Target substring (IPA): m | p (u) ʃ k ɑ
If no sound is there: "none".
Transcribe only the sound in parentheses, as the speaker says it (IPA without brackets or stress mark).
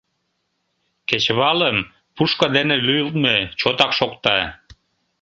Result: u